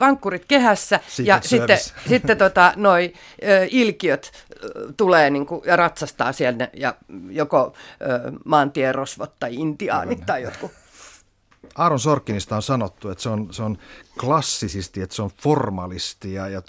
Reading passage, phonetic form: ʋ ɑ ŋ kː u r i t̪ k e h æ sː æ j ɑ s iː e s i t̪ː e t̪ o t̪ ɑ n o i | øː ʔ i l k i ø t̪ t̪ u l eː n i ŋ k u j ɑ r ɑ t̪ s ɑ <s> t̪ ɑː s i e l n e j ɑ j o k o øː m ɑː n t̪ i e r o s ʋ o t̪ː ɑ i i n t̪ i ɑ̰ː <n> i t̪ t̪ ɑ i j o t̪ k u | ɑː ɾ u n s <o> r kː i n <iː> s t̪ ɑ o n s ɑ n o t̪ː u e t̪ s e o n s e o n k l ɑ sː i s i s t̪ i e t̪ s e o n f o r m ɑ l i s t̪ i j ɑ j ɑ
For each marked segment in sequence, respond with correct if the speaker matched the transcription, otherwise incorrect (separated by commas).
correct, correct, correct, incorrect